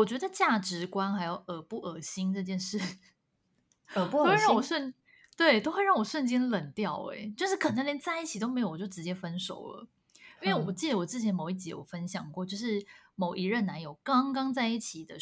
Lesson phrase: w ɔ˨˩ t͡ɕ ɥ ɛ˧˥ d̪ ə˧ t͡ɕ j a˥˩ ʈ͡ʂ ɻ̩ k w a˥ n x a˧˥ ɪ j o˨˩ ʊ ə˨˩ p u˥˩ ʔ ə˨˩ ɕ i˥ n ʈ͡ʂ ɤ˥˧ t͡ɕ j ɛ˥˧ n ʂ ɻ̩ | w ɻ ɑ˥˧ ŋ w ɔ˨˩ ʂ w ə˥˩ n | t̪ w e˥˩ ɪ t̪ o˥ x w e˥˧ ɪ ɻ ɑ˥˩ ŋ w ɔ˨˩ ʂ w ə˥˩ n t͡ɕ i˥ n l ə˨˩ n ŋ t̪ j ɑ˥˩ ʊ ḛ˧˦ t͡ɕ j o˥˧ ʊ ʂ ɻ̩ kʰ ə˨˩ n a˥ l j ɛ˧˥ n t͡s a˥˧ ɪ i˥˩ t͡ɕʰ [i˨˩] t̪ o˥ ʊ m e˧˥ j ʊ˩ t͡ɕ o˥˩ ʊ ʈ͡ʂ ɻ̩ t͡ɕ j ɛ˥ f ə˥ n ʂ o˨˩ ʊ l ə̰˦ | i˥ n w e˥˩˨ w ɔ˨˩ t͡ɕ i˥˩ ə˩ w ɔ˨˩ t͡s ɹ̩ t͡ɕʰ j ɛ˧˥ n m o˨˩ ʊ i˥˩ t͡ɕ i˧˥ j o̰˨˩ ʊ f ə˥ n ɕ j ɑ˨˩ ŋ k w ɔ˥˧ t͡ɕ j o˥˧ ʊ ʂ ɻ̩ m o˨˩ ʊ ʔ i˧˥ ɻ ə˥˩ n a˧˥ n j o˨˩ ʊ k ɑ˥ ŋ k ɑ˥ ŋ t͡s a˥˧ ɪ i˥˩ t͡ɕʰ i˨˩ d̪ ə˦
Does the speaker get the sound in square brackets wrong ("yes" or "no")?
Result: no